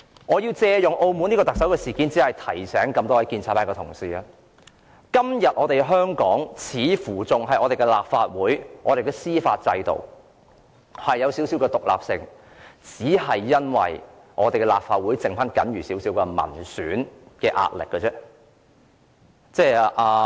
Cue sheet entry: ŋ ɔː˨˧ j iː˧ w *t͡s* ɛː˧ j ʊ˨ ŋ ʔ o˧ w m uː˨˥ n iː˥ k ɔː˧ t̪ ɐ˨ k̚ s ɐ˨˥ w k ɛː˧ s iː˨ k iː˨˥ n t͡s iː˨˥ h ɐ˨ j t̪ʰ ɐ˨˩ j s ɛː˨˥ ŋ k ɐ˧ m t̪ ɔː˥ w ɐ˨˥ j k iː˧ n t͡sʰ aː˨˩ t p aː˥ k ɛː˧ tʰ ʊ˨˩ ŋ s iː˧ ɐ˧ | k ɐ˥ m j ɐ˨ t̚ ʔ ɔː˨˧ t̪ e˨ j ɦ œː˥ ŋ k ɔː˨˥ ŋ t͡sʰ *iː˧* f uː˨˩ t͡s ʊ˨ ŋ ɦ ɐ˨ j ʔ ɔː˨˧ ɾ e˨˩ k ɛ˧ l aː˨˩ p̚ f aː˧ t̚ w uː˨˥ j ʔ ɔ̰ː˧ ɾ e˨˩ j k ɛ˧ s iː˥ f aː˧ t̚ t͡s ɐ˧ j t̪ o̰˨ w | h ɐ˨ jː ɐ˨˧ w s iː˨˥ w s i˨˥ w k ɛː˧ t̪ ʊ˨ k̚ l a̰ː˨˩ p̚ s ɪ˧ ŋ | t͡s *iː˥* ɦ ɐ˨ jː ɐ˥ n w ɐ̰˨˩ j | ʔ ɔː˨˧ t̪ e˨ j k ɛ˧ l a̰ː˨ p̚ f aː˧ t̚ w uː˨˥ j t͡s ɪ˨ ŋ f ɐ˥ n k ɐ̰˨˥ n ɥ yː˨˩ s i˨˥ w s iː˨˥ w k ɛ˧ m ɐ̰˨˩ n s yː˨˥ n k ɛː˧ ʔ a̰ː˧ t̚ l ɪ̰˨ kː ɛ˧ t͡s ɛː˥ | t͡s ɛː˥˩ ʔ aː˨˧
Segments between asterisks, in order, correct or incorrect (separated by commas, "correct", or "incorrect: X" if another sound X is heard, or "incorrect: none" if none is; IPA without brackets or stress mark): correct, incorrect: iː˨˥, incorrect: iː˨˥